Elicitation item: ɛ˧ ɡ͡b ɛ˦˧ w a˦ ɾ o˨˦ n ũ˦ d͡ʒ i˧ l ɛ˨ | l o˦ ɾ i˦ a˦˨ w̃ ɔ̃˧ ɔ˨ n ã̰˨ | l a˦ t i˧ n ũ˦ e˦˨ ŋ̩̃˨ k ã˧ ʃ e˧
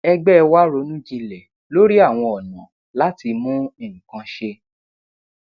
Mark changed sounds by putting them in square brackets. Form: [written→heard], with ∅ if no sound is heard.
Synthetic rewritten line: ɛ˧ ɡ͡b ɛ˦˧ w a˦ ɾ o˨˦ n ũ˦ d͡ʒ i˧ l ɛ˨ | l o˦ ɾ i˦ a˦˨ w̃ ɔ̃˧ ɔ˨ n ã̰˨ | l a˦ t i˧ [n→m] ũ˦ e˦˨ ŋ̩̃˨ k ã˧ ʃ e˧